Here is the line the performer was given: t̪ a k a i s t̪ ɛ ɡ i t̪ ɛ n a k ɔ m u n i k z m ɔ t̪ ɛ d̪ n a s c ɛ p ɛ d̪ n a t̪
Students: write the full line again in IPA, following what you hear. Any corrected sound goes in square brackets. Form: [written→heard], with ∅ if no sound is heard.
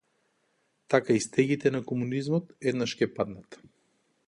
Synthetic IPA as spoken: t̪ a k a i s t̪ ɛ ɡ i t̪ ɛ n a k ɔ m u n i [k→∅] z m ɔ t̪ ɛ d̪ n a [s→ʃ] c ɛ p [ɛ→a] d̪ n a t̪